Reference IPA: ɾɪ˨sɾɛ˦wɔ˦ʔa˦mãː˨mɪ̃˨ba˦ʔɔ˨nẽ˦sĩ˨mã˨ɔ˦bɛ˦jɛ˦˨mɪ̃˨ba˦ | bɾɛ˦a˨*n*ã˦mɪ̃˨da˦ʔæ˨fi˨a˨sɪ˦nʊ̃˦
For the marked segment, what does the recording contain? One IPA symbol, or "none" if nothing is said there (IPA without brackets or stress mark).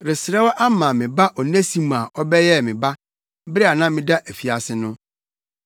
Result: n